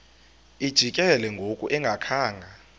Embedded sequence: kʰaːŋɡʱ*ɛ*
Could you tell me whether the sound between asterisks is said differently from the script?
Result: yes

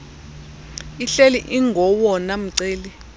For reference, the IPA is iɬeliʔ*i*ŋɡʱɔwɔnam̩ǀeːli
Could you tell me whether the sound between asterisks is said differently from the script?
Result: no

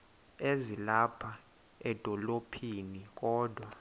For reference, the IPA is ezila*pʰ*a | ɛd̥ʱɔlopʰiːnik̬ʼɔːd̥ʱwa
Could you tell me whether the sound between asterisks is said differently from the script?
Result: no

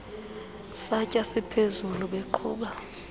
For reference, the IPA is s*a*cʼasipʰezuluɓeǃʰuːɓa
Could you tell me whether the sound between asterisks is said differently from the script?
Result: no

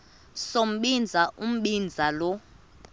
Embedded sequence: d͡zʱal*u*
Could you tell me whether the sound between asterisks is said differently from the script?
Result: yes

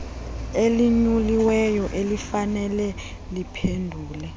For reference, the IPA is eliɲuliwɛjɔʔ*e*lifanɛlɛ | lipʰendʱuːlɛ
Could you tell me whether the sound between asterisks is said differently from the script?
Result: no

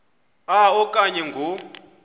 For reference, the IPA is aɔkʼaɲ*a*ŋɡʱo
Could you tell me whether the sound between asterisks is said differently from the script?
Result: yes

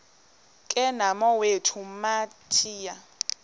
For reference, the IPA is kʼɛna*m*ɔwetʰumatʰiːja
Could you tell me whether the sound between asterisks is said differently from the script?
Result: no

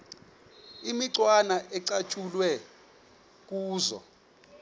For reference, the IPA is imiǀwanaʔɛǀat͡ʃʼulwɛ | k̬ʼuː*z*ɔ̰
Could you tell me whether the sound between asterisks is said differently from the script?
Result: no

